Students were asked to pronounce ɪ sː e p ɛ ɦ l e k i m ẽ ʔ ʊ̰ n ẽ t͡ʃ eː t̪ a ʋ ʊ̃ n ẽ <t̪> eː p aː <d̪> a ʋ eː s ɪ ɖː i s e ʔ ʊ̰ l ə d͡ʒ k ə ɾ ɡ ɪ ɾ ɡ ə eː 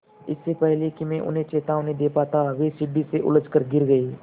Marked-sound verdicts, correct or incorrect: incorrect: d̪, incorrect: t̪

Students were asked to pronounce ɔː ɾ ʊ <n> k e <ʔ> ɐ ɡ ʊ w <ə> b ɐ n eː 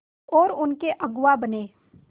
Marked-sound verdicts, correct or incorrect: correct, correct, incorrect: a

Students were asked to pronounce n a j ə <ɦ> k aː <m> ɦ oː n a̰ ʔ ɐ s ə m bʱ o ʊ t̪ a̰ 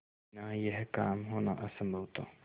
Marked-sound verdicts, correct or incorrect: correct, correct

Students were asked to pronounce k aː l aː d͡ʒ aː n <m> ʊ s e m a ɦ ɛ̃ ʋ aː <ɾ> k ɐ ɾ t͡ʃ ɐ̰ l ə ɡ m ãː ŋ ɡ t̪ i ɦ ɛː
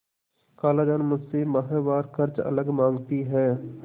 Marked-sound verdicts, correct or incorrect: correct, correct

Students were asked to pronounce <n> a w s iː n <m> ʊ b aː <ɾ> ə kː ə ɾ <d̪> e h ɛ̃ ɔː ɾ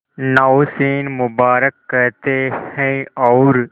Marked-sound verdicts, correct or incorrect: correct, correct, correct, incorrect: t̪

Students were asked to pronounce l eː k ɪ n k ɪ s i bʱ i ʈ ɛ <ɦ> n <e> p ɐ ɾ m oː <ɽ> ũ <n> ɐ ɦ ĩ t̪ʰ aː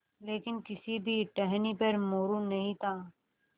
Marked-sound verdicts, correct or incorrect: correct, incorrect: i, incorrect: ɾ, correct

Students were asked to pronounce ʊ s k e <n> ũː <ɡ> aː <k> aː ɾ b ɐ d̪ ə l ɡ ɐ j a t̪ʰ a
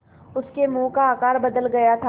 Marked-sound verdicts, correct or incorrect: incorrect: m, incorrect: k, correct

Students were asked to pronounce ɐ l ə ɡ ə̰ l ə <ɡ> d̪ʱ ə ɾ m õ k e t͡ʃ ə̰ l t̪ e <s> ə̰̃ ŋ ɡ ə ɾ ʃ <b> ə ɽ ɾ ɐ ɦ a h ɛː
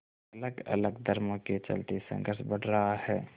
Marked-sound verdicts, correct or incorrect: correct, correct, correct

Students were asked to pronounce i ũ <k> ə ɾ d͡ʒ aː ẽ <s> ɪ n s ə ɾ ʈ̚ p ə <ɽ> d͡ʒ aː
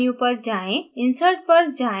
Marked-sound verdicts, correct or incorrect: incorrect: p, incorrect: none, incorrect: ɾ

